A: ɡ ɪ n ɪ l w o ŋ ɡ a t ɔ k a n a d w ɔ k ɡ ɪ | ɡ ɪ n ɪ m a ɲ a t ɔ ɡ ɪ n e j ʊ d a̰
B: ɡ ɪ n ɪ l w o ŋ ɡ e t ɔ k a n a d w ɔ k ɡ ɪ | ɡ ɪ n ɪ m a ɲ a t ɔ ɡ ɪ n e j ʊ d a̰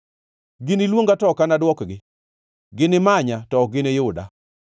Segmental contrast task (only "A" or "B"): A